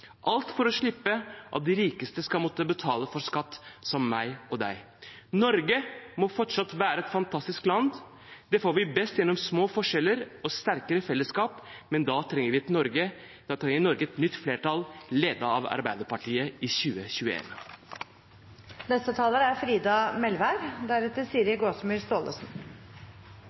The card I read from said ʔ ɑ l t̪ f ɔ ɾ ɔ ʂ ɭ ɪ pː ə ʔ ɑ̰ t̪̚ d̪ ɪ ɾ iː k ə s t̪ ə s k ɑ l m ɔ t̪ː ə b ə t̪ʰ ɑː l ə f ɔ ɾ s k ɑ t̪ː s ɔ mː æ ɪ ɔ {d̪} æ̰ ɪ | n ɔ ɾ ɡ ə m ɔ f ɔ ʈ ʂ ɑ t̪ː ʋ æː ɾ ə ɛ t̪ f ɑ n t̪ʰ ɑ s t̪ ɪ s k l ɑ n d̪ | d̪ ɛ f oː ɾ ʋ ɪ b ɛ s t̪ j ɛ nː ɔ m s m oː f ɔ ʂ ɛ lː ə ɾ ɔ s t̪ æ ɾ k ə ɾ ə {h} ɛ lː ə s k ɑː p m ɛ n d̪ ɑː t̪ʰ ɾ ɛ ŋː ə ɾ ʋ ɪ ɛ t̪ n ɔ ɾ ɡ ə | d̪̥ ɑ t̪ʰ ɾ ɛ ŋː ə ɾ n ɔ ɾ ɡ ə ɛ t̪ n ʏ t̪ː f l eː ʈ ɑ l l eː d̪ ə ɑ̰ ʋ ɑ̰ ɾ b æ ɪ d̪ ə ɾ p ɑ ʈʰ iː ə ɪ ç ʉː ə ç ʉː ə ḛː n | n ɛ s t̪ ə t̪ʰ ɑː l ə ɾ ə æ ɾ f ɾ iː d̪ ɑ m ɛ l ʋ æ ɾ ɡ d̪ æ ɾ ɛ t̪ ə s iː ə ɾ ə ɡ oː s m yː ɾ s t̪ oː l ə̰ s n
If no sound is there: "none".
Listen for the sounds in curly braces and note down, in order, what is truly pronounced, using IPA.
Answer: d̪, f

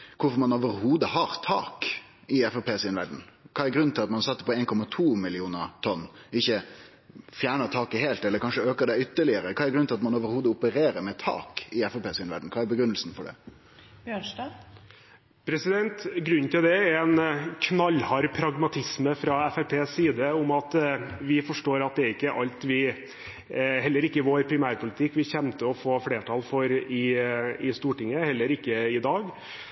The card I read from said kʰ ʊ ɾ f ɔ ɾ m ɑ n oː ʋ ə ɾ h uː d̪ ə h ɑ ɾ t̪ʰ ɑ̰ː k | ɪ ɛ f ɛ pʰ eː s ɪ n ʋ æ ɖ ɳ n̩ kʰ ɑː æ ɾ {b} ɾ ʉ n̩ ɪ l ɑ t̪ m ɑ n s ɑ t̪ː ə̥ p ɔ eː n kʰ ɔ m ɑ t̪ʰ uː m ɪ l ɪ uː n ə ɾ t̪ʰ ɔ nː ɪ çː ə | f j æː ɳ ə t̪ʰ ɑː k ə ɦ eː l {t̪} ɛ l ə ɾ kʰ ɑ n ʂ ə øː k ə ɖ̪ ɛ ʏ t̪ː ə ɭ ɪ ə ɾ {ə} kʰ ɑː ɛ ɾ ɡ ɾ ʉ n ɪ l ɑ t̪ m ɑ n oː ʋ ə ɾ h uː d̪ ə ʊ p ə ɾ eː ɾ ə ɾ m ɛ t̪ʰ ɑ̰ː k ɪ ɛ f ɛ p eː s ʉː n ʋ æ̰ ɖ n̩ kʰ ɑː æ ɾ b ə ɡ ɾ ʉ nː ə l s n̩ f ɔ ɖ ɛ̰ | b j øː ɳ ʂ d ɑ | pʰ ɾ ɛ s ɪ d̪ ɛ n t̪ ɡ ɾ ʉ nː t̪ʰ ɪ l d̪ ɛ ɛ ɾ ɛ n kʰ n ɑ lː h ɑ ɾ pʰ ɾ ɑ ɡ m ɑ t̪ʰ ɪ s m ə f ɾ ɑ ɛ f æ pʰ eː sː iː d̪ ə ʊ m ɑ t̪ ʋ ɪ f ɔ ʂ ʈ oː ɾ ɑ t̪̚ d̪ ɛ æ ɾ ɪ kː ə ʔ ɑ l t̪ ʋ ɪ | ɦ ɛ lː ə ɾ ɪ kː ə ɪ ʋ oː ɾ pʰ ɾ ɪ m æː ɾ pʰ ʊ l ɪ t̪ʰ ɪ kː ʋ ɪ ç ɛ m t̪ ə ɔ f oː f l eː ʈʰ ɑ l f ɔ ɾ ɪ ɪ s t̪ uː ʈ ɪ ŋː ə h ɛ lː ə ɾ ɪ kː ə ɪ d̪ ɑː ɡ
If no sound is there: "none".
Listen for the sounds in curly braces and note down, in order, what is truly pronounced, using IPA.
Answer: ɡ, t̪, ə

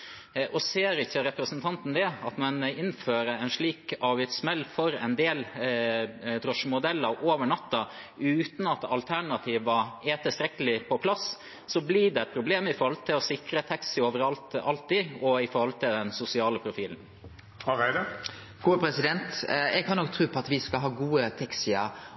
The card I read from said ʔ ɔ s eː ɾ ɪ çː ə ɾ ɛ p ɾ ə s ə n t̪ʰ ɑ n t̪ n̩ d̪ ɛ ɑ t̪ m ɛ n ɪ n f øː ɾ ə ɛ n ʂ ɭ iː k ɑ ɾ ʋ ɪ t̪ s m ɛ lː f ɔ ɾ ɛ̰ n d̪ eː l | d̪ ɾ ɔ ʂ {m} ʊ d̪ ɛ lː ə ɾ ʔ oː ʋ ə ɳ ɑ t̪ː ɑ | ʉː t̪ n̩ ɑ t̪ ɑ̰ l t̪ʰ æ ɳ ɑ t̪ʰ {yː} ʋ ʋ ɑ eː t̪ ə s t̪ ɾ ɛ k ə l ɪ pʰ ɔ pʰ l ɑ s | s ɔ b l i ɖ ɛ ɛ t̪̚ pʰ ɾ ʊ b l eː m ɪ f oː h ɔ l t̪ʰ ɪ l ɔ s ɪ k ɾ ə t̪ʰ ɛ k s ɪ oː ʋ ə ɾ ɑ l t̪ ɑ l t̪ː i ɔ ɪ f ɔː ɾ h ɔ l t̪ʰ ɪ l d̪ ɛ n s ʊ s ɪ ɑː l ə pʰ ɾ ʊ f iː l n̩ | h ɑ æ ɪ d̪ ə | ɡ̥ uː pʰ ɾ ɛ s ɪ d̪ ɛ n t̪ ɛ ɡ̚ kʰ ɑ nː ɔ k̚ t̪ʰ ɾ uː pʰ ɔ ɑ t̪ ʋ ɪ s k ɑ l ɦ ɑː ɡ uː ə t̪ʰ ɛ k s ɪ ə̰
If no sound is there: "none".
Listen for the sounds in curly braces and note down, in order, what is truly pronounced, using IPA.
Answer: m, iː

